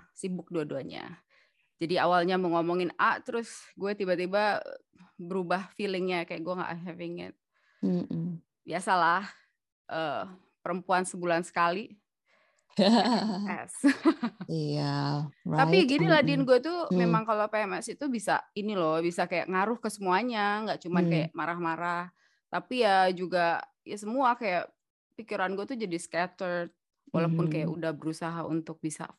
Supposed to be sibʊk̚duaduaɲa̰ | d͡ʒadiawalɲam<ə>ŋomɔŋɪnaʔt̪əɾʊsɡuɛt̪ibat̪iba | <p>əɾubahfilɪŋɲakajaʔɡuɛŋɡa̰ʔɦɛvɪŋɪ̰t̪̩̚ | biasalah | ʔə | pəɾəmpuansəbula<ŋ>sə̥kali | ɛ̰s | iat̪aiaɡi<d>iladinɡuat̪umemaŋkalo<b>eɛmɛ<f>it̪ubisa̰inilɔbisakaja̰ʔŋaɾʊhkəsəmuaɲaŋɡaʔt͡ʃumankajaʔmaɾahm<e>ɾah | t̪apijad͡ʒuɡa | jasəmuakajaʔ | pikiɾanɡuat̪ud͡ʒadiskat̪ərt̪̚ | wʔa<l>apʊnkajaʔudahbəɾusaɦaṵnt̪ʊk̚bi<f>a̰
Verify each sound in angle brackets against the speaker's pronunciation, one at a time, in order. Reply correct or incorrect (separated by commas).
correct, incorrect, incorrect, incorrect, incorrect, incorrect, incorrect, correct, incorrect